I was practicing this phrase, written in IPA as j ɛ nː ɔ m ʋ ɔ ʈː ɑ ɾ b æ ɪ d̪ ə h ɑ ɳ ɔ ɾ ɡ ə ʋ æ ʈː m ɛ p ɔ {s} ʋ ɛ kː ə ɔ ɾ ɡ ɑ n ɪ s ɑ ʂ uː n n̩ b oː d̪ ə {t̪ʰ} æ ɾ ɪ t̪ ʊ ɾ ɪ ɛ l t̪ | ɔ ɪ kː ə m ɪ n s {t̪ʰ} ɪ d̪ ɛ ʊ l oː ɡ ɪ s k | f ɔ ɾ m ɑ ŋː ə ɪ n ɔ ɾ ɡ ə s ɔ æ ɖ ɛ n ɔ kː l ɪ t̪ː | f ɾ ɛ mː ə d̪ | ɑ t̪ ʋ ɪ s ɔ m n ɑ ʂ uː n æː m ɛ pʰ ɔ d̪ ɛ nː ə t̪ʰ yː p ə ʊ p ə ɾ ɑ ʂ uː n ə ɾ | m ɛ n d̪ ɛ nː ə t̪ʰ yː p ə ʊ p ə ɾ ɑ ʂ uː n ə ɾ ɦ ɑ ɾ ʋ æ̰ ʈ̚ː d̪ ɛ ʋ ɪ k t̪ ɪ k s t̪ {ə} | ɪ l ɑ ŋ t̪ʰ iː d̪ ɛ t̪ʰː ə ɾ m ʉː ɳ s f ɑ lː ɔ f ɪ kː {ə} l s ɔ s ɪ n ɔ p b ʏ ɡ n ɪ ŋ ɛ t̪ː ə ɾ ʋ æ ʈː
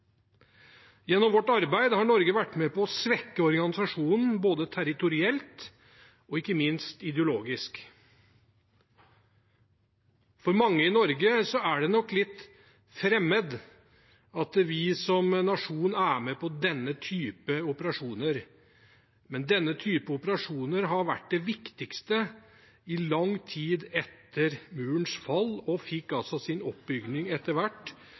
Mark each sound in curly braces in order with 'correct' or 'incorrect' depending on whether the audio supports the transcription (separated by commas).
correct, correct, incorrect, correct, incorrect